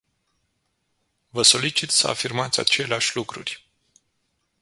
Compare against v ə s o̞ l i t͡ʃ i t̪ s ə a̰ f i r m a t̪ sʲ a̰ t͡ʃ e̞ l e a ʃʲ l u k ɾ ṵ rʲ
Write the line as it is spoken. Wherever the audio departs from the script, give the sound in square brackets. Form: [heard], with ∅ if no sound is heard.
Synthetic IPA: v ə s o̞ l i t͡ʃ i t̪ s ə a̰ f i r m a t̪ sʲ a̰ t͡ʃ e̞ l e a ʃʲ l u k ɾ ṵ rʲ